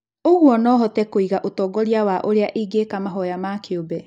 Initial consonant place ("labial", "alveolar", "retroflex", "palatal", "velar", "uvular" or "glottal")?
velar